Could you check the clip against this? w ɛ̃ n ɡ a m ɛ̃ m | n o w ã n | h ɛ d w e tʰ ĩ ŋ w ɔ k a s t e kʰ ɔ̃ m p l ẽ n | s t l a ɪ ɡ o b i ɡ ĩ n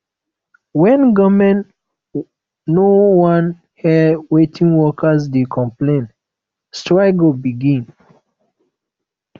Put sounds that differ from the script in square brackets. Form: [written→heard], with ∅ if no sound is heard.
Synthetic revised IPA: w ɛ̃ n ɡ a m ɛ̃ [m→n] | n o w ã n | h ɛ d w e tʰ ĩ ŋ w ɔ k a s [t→d] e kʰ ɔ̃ m p l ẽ n | s t [l→ɹ] a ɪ ɡ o b i ɡ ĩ n